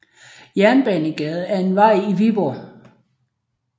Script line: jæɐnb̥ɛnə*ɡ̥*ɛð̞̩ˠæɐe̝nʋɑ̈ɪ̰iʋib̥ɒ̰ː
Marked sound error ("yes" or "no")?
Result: no